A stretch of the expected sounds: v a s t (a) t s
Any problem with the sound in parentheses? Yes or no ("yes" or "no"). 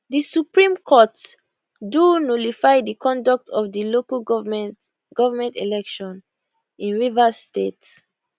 yes